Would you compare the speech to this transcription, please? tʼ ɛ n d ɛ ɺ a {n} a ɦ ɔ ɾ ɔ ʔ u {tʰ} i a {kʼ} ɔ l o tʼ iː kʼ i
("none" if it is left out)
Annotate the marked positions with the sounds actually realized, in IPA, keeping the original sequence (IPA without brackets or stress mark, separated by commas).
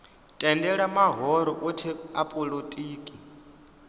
m, tʰ, pʼ